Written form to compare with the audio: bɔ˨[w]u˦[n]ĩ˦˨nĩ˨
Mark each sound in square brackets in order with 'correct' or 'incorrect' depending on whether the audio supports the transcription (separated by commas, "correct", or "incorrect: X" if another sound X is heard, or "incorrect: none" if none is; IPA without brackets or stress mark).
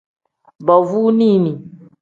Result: incorrect: v, correct